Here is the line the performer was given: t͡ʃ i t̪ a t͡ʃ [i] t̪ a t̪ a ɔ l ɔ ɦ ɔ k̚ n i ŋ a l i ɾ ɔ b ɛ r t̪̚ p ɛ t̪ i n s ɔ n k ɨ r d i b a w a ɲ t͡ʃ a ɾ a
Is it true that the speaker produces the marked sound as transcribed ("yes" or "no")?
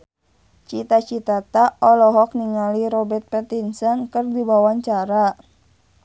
yes